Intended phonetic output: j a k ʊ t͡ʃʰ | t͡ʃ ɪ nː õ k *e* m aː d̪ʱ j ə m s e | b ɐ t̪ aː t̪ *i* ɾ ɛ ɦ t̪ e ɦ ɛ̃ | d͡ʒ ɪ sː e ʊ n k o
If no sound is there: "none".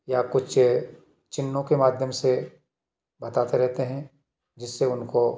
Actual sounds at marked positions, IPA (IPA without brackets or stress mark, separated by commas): e, e